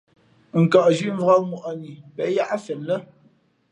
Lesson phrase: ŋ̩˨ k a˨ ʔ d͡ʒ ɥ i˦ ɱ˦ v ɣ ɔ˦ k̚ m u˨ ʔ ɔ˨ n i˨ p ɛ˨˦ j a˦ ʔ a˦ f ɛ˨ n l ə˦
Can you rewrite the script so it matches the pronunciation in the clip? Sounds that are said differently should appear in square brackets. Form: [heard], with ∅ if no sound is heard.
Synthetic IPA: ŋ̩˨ k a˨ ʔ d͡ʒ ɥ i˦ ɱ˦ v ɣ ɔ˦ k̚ m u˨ ʔ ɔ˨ n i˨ p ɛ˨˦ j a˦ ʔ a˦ f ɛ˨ n l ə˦